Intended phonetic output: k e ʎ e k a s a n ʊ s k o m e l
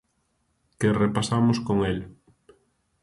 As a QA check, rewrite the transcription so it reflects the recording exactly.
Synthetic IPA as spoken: k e r e p a s a m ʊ s k o ŋ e l